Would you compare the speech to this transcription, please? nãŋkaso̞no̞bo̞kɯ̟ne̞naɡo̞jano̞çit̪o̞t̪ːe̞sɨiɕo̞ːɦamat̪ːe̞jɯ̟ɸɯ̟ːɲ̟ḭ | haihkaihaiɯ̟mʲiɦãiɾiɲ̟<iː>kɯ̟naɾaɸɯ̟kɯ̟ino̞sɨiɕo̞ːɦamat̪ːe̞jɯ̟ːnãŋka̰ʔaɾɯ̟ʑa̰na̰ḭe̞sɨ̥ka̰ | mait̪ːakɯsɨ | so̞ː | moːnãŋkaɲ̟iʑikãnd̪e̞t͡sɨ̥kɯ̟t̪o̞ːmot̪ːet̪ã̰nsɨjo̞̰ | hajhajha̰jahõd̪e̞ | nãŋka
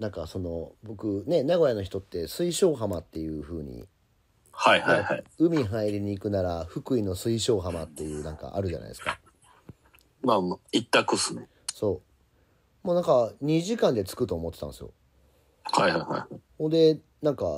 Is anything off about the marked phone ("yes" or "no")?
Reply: no